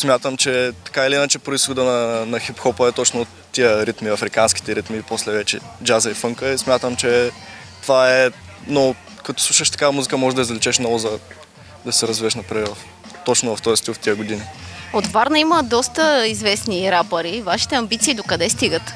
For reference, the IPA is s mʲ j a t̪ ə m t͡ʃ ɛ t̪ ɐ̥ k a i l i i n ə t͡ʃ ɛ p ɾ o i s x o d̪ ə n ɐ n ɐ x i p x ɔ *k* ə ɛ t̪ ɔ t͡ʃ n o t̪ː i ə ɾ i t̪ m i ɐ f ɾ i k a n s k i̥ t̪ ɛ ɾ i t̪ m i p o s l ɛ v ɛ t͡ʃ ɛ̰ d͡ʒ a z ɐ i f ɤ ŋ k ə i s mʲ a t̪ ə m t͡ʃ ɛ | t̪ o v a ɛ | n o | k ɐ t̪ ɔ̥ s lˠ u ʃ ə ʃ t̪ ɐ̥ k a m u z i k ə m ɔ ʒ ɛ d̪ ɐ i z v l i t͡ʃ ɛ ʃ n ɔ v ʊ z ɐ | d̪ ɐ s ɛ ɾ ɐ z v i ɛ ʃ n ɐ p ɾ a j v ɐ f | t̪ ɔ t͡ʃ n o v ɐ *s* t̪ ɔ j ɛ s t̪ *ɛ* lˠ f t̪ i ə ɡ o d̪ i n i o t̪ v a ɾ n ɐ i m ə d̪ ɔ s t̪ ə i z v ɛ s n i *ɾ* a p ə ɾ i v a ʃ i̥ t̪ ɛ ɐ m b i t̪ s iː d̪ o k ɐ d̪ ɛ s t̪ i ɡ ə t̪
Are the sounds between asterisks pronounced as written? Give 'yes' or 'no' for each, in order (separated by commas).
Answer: no, no, no, yes